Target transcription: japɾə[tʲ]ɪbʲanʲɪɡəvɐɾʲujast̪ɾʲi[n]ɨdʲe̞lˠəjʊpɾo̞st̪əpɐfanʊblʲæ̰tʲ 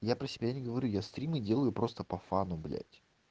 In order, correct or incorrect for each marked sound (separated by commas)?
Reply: incorrect, incorrect